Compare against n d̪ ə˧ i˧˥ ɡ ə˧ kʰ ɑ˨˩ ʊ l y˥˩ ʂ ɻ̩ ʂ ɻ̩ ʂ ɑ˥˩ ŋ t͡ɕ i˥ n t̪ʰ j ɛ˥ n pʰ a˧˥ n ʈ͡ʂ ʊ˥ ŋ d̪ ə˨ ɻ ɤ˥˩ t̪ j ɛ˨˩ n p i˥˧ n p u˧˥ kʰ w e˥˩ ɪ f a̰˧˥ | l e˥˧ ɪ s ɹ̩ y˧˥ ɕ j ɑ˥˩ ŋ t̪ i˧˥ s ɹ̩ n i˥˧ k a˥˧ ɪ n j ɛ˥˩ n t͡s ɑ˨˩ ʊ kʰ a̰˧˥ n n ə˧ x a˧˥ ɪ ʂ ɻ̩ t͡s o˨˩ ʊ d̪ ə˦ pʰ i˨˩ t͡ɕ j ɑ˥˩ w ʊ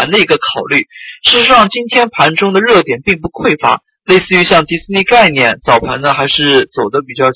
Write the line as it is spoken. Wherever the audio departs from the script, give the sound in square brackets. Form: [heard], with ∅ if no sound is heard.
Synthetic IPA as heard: n d̪ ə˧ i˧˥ ɡ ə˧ kʰ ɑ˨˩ ʊ l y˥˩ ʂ ɻ̩ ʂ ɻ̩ ʂ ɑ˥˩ ŋ t͡ɕ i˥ n t̪ʰ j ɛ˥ n pʰ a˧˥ n ʈ͡ʂ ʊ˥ ŋ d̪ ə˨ ɻ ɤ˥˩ t̪ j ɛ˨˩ n p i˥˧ [ŋ] p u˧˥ kʰ w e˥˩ ɪ f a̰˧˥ | l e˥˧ ɪ s ɹ̩ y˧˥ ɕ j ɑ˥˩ ŋ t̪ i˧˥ s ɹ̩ n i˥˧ k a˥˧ ɪ n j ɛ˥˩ n t͡s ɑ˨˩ ʊ [pʰ] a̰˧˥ n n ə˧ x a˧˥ ɪ ʂ ɻ̩ t͡s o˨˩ ʊ d̪ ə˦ [p] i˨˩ t͡ɕ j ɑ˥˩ [∅] ʊ